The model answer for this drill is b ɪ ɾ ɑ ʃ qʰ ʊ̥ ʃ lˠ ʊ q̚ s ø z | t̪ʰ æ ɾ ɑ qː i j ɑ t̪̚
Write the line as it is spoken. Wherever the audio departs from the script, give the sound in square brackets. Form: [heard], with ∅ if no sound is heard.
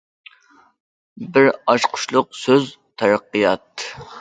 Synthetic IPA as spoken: b ɪ ɾ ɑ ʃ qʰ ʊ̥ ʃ lˠ ʊ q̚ s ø z | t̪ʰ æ ɾ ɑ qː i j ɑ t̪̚